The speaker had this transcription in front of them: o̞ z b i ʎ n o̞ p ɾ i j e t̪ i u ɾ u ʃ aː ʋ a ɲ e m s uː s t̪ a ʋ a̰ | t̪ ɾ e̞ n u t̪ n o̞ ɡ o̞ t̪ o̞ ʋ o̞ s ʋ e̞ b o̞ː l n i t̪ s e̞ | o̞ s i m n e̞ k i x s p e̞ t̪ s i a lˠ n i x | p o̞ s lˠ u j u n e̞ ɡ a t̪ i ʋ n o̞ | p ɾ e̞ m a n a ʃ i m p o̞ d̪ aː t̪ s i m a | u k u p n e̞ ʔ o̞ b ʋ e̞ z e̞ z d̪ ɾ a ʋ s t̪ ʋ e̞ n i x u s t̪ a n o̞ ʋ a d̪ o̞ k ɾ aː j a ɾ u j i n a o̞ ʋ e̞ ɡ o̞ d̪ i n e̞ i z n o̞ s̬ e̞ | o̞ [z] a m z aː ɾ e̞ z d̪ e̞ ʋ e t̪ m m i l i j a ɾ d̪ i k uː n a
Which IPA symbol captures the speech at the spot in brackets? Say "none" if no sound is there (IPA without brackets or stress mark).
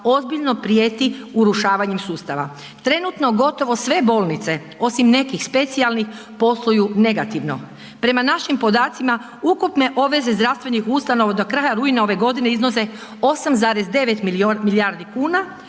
s